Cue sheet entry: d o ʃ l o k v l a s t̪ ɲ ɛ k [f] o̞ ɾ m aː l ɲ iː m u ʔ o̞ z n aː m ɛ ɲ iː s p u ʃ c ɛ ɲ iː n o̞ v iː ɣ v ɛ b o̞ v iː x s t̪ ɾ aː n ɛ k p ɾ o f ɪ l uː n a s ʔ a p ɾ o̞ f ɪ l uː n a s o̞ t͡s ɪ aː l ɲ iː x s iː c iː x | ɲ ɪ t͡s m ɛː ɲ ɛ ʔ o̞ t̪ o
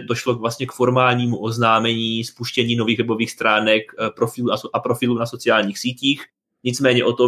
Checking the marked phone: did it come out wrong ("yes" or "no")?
no